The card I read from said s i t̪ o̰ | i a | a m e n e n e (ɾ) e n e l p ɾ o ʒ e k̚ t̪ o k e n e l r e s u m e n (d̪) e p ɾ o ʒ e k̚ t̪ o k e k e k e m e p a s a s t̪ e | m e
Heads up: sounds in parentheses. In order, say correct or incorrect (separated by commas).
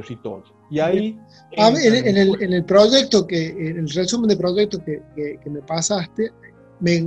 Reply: incorrect, correct